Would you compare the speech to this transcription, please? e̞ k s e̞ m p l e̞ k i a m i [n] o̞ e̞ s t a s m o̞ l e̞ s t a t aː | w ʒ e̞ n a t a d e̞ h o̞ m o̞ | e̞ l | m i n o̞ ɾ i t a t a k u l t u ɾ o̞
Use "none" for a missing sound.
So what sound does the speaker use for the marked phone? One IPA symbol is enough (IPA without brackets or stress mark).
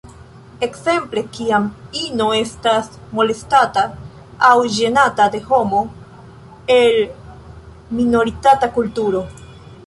n